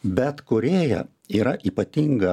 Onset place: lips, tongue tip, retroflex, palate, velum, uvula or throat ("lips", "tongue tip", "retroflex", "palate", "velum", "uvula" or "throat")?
lips